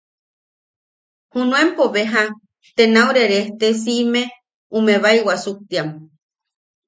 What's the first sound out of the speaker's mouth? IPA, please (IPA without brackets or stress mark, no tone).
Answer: h